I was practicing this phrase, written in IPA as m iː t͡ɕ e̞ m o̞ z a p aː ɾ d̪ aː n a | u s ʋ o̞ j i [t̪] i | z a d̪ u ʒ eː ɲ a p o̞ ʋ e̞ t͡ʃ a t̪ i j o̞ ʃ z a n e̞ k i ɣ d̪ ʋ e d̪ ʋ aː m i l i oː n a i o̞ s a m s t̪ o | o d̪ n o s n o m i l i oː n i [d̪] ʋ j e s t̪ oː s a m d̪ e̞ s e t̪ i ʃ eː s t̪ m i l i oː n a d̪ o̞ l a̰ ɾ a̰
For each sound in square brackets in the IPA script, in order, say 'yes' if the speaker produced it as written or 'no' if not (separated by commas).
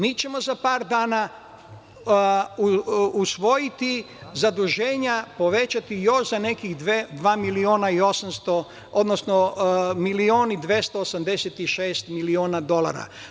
yes, yes